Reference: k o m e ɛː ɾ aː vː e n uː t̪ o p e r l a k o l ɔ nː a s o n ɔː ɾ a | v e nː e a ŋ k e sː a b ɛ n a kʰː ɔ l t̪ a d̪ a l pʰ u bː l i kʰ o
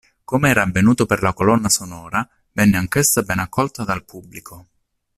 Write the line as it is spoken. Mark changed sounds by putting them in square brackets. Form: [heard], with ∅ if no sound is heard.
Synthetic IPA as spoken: k o m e ɛː ɾ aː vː e n uː t̪ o p e r l a k o l ɔ nː a s o n ɔː ɾ a | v [ɛ] nː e a ŋ k e sː a b ɛ n a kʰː ɔ l t̪ a d̪ a l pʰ u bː l i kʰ o